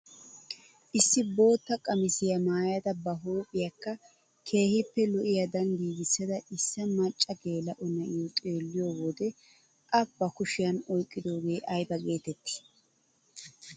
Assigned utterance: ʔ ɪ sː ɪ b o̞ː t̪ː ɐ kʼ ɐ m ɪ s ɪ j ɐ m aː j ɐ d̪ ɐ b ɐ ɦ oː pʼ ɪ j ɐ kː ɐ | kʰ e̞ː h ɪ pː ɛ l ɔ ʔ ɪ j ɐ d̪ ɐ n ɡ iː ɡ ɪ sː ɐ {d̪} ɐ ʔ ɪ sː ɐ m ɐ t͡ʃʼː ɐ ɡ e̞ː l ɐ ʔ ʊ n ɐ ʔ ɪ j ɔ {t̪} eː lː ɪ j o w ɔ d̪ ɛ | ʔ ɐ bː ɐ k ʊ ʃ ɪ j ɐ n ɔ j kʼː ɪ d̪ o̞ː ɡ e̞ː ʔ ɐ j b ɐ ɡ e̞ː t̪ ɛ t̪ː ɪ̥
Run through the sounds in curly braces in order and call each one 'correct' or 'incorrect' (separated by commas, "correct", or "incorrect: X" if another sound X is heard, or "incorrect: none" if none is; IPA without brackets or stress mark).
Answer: correct, incorrect: t̪ʼ